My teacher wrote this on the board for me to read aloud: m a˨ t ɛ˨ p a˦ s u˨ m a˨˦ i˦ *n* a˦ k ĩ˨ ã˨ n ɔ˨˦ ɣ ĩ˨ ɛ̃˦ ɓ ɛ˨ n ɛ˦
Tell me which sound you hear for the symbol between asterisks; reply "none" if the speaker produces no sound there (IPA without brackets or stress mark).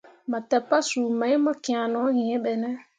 m